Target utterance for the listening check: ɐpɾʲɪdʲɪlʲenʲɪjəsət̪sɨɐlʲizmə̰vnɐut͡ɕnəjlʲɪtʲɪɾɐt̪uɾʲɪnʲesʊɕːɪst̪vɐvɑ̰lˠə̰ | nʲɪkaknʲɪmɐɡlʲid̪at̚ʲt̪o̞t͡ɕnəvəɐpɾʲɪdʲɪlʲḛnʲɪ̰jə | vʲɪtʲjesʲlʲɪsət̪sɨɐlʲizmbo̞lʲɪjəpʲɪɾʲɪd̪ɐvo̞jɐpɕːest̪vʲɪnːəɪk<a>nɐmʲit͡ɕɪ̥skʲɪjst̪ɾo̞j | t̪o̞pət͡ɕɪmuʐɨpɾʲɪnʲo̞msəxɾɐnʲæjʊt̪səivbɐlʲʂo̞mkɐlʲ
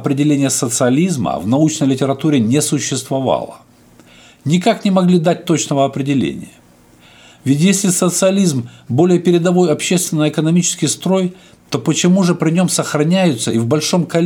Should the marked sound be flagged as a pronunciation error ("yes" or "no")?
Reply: yes